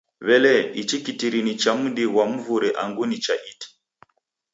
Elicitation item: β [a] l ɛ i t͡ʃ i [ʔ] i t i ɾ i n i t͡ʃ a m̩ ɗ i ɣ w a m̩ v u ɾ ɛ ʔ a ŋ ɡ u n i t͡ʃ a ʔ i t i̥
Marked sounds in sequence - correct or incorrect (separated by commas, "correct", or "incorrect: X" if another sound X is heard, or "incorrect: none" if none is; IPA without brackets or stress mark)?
incorrect: ɛ, incorrect: k